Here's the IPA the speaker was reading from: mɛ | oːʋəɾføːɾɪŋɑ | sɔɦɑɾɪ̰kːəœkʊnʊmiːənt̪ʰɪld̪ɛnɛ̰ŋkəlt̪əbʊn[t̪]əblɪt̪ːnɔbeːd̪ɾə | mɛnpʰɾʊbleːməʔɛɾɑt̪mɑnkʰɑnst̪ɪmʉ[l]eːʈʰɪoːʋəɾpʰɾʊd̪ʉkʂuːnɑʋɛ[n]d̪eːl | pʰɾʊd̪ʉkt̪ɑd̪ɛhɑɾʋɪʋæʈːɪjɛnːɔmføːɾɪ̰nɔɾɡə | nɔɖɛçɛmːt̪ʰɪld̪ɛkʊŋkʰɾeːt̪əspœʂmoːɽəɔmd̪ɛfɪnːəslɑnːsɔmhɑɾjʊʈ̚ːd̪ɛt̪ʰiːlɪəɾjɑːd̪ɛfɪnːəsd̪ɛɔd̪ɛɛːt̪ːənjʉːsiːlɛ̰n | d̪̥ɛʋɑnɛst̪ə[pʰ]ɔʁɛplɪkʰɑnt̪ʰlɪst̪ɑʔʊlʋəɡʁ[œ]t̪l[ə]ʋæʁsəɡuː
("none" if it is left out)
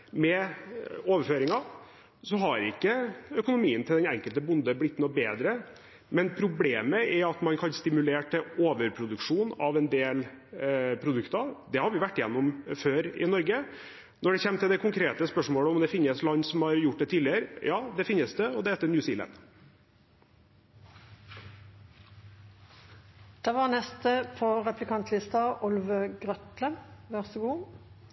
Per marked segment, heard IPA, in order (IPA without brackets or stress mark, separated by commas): d̪, l, n, pʰ, œ, ə